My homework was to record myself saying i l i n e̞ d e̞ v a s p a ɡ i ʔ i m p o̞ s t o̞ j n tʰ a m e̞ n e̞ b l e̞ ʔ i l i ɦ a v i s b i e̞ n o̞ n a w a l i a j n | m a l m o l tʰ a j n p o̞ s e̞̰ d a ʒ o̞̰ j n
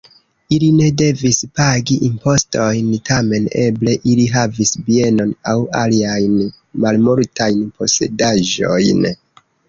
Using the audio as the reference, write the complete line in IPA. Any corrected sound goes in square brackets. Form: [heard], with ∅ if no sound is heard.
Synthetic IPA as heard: i l i n e̞ d e̞ v [i] s p a ɡ i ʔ i m p o̞ s t o̞ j n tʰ a m e̞ n e̞ b l e̞ ʔ i l i ɦ a v i s b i e̞ n o̞ n a w a l i a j n | m a l m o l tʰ a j n p o̞ s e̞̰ d a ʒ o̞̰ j n